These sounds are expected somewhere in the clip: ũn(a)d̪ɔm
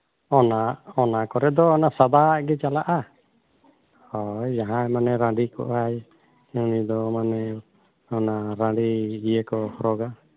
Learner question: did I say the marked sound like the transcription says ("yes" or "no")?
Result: no